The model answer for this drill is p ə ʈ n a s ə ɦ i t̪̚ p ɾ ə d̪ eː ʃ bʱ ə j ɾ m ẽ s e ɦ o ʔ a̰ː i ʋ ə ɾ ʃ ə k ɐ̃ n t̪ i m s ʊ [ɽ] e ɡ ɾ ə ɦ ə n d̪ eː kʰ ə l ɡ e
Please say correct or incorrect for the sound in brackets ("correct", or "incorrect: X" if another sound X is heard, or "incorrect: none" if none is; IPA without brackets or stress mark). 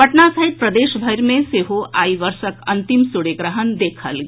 correct